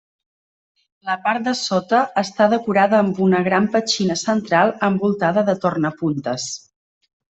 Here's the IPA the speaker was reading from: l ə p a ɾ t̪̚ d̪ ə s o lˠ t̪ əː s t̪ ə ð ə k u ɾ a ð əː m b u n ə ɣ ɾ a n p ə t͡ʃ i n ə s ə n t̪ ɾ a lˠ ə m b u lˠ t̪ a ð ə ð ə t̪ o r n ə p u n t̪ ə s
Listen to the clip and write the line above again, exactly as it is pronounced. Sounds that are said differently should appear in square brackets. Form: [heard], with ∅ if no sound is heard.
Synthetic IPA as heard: l ə p a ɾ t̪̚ d̪ ə s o [∅] t̪ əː s t̪ [a] ð ə k u ɾ a ð əː m b u n ə ɣ ɾ a [m] p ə t͡ʃ i n ə s ə n t̪ ɾ a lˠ ə m b u lˠ t̪ a ð ə ð ə t̪ o r n ə p u n t̪ ə s

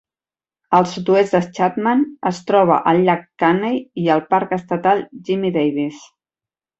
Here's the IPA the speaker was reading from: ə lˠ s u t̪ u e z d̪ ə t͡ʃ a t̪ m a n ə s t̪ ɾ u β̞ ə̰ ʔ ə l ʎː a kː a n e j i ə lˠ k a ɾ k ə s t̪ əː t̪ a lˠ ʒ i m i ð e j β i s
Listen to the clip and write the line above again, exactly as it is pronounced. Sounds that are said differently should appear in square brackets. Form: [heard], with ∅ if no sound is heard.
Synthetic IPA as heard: ə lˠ s u t̪ u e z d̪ ə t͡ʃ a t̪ m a n ə s t̪ ɾ [ɔ] β̞ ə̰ ʔ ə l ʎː a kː a n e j i ə lˠ [p] a ɾ k ə s t̪ [ə] t̪ a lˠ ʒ i m i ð e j β i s

